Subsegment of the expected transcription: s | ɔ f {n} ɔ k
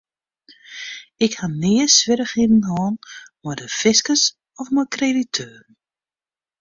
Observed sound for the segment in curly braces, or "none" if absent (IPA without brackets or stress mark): m